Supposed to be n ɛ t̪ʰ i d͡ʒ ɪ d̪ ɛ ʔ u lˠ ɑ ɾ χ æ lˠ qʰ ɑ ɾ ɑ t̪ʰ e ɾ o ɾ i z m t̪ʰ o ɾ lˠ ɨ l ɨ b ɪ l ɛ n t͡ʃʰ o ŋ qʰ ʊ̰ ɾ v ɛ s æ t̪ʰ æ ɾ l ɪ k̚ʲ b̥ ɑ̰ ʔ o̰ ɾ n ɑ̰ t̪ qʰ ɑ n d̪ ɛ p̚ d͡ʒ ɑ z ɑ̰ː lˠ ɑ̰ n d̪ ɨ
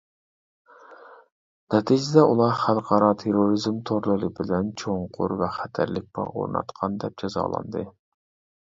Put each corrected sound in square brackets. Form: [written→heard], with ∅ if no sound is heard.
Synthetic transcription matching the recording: n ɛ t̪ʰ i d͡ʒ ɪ d̪ ɛ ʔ u lˠ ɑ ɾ χ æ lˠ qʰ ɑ ɾ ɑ t̪ʰ e ɾ o ɾ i z m t̪ʰ o ɾ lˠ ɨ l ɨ b ɪ l ɛ n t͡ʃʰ o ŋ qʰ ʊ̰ ɾ v ɛ [s→χ] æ t̪ʰ æ ɾ l ɪ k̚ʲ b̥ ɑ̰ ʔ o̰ ɾ n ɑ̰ t̪ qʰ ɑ n d̪ ɛ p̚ d͡ʒ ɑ z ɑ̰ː lˠ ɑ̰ n d̪ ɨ